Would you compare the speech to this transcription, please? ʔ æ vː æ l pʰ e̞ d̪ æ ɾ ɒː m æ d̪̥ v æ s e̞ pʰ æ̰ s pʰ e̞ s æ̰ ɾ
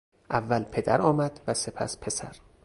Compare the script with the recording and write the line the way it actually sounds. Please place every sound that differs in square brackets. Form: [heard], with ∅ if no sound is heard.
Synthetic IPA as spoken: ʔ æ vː æ l pʰ e̞ d̪ æ ɾ ɒː m æ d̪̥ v æ s e̞ pʰ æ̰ s pʰ e̞ s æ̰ ɾ

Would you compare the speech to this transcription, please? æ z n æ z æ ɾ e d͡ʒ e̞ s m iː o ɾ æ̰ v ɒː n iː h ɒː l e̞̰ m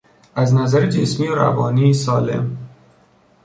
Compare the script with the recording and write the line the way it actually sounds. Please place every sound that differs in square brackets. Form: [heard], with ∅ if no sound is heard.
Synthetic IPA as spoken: æ z n æ z æ ɾ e d͡ʒ e̞ s m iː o ɾ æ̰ v ɒː n iː [s] ɒː l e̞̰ m

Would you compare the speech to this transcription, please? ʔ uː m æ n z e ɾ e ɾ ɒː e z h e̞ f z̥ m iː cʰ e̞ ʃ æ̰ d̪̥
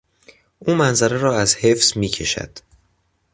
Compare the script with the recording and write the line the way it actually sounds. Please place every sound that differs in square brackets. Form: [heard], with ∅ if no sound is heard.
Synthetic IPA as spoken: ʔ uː m æ n z [æ] ɾ e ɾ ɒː [æ] z h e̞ f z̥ m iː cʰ e̞ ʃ æ̰ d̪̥

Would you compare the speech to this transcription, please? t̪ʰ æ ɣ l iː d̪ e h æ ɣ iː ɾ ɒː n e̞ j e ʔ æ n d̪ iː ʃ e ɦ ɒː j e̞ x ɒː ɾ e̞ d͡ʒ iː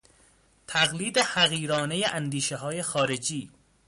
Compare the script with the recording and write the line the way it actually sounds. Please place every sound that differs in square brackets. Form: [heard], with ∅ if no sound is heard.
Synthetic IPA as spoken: t̪ʰ æ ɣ l iː d̪ e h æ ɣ iː ɾ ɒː n e̞ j e ʔ æ n d̪ iː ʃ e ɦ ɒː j e̞ x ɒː ɾ e̞ d͡ʒ iː

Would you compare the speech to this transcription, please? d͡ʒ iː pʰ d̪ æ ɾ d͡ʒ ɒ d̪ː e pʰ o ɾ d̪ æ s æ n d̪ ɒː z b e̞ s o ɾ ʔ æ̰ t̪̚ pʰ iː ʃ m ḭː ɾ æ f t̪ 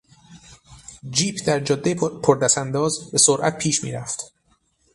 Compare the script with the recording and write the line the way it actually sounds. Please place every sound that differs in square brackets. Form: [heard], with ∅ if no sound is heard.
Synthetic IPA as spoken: d͡ʒ iː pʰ d̪ æ ɾ d͡ʒ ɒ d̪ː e pʰ o ɾ d̪ æ s æ n d̪ ɒː z b e̞ s o ɾ ʔ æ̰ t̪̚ pʰ iː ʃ m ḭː ɾ æ f t̪

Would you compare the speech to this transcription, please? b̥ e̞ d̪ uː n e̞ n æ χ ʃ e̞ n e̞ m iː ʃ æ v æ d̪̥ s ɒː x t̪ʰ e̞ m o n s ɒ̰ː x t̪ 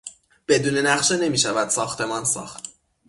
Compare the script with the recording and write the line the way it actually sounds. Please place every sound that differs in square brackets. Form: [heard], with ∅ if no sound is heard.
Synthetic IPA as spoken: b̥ e̞ d̪ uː n e̞ n æ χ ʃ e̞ n e̞ m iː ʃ æ v æ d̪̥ s ɒː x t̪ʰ e̞ m [ɒ] n s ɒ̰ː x t̪

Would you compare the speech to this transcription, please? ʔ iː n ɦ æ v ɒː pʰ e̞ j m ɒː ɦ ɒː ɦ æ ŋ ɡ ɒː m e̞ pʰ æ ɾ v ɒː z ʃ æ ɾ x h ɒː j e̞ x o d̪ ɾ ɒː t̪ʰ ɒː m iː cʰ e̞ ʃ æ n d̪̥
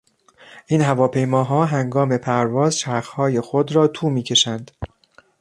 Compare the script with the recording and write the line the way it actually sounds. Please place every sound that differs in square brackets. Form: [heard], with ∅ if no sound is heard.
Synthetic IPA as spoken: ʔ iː n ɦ æ v ɒː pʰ e̞ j m ɒː ɦ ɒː ɦ æ ŋ ɡ ɒː m e̞ pʰ æ ɾ v ɒː z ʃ æ ɾ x h ɒː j e̞ x o d̪ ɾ ɒː t̪ʰ [uː] m iː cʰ e̞ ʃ æ n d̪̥

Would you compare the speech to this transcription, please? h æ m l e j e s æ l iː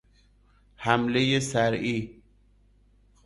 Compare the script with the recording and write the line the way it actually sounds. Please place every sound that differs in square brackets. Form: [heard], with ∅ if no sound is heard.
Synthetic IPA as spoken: h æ m l e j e s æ [ɾ] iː

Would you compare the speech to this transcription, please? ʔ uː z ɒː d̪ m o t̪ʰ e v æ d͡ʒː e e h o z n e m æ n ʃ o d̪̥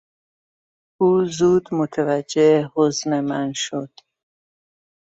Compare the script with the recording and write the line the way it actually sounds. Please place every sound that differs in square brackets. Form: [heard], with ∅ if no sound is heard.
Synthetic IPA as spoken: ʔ uː z [uː] d̪ m o t̪ʰ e v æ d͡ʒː e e h o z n e m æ n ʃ o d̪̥

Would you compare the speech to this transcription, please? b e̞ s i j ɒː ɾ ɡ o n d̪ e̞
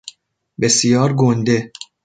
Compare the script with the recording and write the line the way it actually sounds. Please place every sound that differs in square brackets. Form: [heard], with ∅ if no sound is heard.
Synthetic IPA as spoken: b e̞ s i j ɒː ɾ ɡ o n d̪ e̞

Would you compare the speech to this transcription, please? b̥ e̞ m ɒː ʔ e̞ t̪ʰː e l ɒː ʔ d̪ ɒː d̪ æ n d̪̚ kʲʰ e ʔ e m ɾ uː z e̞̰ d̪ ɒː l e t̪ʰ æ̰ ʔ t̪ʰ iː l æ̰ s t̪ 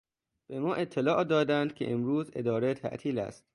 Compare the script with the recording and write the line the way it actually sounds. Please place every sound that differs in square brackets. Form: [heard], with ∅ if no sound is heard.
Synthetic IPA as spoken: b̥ e̞ m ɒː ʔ e̞ t̪ʰː e l ɒː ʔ d̪ ɒː d̪ æ n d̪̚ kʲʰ e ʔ e m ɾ uː z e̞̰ d̪ ɒː [ɾ] e t̪ʰ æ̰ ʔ t̪ʰ iː l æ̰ s t̪

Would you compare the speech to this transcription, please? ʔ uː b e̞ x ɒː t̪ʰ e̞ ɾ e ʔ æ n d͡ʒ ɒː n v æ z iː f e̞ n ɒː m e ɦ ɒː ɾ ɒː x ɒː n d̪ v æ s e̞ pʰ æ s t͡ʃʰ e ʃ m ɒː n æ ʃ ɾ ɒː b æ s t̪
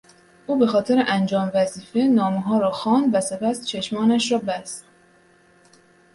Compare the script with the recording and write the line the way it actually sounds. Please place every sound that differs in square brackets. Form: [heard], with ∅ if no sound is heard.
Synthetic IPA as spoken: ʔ uː b e̞ x ɒː t̪ʰ e̞ ɾ e ʔ æ n d͡ʒ ɒː [m] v æ z iː f e̞ n ɒː m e ɦ ɒː ɾ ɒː x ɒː n d̪ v æ s e̞ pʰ æ s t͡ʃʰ e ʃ m ɒː n æ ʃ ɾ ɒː b æ s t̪

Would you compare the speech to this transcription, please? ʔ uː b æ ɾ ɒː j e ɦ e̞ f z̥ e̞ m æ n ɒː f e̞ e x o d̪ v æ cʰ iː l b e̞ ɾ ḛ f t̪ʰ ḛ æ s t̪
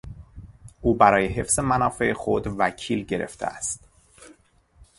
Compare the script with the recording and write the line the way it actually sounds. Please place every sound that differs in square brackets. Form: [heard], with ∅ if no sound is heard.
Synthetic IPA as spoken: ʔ uː b æ ɾ ɒː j e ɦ e̞ f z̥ e̞ m æ n ɒː f e̞ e x o d̪ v æ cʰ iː l [ɟ] e̞ ɾ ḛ f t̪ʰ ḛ æ s t̪

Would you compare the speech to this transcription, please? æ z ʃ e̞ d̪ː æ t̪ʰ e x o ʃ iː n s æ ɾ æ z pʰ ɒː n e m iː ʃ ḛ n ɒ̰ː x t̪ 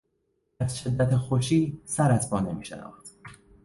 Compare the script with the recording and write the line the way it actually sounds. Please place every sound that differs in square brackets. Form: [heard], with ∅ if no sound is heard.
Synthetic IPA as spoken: æ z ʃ e̞ d̪ː æ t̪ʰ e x o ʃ iː [∅] s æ ɾ æ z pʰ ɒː n e m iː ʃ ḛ n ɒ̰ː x t̪

